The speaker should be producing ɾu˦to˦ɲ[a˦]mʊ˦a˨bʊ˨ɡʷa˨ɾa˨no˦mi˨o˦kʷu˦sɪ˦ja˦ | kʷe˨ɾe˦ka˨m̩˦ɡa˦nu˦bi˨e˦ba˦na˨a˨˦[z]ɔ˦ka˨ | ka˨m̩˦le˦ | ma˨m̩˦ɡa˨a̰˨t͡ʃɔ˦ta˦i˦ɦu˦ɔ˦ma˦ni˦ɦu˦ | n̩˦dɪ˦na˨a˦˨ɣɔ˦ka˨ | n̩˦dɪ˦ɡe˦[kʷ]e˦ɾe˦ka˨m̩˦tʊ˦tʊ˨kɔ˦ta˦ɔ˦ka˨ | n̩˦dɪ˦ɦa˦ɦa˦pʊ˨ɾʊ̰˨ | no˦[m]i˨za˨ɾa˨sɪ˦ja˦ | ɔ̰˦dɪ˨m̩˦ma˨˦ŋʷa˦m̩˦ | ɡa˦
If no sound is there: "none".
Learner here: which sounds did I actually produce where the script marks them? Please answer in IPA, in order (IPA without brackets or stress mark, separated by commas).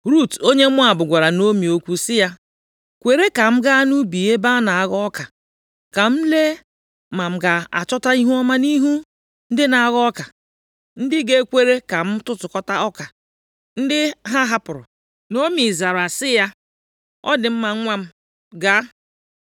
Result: e˦, ɣ, kʷ, m